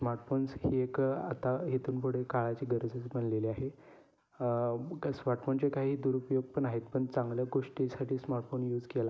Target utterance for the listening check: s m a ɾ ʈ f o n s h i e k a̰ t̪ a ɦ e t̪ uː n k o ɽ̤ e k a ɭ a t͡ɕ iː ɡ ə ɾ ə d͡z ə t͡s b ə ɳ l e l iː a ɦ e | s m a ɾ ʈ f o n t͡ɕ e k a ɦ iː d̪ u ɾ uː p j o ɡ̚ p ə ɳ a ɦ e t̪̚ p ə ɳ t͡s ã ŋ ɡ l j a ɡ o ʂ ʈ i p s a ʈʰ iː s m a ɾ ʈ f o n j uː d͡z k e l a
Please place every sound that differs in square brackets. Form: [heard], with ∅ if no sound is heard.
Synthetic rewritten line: s m a ɾ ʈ f o n s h i e k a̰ t̪ a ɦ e t̪ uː n [p] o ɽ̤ e k a ɭ a t͡ɕ iː ɡ ə ɾ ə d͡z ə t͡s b ə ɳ l e l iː a ɦ e | s m a ɾ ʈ f o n t͡ɕ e k a ɦ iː d̪ u ɾ [u] p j o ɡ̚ p ə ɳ a ɦ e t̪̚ p ə ɳ t͡s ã ŋ ɡ l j a ɡ o ʂ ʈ i [∅] s a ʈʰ iː s m a ɾ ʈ f o n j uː d͡z k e l a